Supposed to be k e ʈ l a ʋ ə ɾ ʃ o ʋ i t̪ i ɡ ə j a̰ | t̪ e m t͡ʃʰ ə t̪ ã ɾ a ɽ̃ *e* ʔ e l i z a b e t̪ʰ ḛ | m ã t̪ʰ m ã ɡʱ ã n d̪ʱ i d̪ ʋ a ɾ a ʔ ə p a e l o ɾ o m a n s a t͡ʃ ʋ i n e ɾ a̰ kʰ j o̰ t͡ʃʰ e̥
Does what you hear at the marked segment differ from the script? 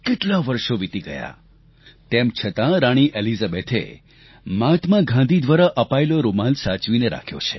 yes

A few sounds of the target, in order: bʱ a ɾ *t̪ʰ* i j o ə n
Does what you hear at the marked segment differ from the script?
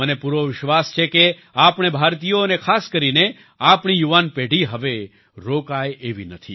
yes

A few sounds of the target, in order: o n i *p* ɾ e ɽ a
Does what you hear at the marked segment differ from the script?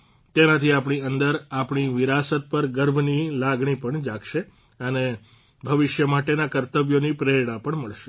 no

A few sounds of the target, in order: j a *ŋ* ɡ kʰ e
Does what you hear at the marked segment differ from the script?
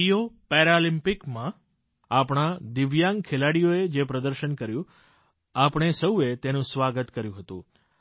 no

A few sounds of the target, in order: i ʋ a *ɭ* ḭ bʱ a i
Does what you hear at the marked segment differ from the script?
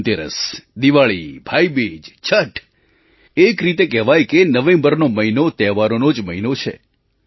no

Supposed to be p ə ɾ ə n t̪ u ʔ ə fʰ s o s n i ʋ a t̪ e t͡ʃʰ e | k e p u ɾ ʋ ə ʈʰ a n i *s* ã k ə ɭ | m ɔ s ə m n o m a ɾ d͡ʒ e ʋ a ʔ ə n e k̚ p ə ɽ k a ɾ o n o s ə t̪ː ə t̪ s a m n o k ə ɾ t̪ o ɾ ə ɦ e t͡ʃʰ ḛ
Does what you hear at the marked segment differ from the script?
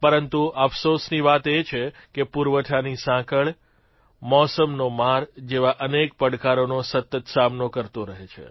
no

